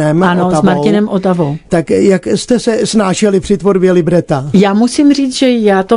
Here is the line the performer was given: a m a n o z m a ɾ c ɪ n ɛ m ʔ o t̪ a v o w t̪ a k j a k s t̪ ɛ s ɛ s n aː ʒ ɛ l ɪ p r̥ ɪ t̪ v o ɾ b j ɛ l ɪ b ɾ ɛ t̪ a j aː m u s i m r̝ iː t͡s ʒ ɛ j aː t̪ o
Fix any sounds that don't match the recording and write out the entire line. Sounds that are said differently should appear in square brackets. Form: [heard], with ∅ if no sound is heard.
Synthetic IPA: [ɛ] m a n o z m a ɾ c ɪ n ɛ m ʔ o t̪ a v o w t̪ a k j a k s t̪ ɛ s ɛ s n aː [ʃ] ɛ l ɪ p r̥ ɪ t̪ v o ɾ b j ɛ l ɪ b ɾ ɛ t̪ a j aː m u s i m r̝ iː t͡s ʒ ɛ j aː t̪ o